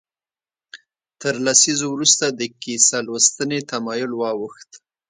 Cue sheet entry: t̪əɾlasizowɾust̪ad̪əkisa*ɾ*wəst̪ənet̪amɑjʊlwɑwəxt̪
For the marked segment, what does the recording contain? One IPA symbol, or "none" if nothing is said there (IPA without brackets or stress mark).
l